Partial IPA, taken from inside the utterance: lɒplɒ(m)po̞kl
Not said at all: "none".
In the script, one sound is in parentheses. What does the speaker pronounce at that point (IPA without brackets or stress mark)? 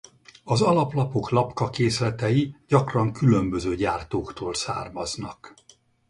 none